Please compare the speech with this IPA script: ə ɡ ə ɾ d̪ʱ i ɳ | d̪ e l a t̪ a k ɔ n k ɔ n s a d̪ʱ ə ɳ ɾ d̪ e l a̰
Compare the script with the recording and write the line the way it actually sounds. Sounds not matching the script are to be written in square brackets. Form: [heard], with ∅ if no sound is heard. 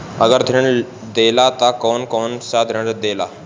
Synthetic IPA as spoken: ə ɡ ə ɾ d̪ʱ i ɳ | d̪ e l a t̪ a k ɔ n k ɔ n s a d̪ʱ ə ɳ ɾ d̪ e l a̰